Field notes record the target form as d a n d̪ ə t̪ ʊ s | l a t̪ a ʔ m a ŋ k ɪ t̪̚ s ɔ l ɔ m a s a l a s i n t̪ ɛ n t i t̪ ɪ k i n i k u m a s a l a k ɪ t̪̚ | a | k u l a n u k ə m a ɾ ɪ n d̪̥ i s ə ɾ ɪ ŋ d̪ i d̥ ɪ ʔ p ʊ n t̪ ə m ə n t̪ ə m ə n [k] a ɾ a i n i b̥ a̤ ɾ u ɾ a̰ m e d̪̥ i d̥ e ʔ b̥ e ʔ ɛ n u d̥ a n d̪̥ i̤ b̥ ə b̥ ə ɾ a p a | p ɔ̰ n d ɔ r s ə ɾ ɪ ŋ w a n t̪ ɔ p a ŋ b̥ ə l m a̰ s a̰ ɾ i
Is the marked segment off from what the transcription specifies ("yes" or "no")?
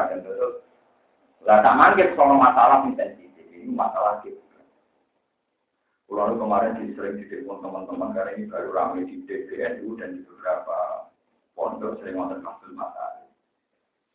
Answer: no